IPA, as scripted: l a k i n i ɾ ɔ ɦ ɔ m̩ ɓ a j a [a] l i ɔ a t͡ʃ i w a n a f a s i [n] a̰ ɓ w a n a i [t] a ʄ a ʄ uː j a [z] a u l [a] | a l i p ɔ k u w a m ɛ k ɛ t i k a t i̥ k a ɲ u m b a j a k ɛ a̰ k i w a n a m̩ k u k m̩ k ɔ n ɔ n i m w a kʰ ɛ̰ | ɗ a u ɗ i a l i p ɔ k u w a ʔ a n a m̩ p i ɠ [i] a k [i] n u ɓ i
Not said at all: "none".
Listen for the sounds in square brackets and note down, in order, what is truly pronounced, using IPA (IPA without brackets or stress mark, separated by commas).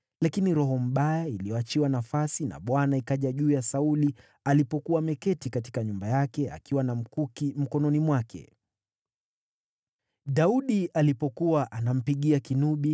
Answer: i, n, k, s, i, i, i